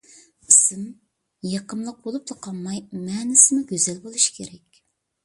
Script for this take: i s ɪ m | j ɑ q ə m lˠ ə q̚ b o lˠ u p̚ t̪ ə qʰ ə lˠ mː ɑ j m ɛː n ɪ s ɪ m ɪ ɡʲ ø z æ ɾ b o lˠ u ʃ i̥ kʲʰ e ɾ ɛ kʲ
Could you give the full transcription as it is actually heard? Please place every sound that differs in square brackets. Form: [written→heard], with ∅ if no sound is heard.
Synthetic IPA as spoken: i s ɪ m | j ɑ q ə m lˠ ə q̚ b o lˠ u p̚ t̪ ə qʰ [ə→ɑ] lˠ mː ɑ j m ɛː n ɪ s ɪ m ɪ ɡʲ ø z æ [ɾ→l] b o lˠ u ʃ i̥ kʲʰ e ɾ ɛ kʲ